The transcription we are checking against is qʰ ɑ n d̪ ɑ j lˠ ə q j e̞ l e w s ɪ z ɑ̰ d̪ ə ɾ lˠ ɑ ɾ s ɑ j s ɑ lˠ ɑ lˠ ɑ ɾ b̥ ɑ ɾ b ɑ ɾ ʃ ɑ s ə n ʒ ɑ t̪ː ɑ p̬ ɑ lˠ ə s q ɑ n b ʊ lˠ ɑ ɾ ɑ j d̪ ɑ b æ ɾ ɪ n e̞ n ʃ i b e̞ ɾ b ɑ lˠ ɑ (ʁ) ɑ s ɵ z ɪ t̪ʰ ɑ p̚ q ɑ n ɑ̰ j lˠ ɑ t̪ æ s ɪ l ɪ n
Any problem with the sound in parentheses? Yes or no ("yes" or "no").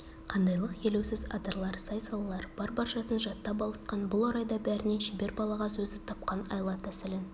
no